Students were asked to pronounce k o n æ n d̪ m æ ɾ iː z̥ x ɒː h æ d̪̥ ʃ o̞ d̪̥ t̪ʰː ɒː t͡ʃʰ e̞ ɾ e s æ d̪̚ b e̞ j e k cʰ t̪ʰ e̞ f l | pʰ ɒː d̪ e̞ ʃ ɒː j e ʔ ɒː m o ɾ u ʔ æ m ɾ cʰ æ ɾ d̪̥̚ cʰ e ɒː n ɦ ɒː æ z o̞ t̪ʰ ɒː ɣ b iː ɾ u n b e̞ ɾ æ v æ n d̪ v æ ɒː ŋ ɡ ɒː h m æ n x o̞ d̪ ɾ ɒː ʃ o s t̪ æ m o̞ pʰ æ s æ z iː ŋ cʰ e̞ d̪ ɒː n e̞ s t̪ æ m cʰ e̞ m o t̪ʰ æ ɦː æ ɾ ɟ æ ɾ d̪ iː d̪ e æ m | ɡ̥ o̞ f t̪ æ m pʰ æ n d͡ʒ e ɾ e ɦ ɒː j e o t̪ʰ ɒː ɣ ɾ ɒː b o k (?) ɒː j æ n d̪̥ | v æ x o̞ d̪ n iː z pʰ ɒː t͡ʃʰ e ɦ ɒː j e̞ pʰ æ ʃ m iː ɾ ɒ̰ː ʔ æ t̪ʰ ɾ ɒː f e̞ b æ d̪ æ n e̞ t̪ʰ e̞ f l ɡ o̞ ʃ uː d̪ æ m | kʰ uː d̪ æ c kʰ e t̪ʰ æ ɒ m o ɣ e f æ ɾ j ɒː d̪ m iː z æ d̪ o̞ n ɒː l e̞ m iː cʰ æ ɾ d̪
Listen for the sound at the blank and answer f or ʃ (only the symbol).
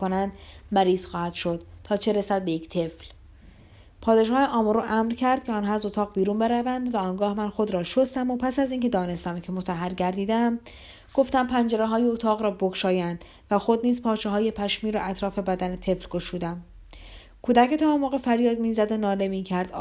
ʃ